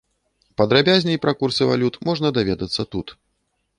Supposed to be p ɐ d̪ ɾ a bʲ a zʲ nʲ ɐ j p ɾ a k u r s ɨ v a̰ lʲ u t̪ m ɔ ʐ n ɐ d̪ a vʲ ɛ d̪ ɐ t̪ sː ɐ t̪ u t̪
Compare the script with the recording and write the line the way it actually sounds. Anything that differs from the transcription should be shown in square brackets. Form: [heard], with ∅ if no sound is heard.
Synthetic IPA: p ɐ d̪ ɾ a bʲ a zʲ nʲ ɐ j p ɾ a k u r s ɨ v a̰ lʲ u t̪ m ɔ ʐ n ɐ d̪ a vʲ ɛ d̪ ɐ t̪ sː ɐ t̪ u t̪